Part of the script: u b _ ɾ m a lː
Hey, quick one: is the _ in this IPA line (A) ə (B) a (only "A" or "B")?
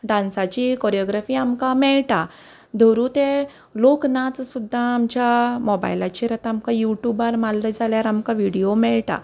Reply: B